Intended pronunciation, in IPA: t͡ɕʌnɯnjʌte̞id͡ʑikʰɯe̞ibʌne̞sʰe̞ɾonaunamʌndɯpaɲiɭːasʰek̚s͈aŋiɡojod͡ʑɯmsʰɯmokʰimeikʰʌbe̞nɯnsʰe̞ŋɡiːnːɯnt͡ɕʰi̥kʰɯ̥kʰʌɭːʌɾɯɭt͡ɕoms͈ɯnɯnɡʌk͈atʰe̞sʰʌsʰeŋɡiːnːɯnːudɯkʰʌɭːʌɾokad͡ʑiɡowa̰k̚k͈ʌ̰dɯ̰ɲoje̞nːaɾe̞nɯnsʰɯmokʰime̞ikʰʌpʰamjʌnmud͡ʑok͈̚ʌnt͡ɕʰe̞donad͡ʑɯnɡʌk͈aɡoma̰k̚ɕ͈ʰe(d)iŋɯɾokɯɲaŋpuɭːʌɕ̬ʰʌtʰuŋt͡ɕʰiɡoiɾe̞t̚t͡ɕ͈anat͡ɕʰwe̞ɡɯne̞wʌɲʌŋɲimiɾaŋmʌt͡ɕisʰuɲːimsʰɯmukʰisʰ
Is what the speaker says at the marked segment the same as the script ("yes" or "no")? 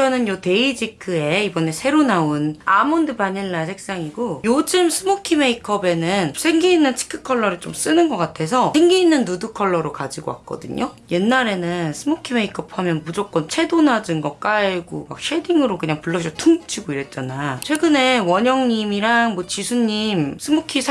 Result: yes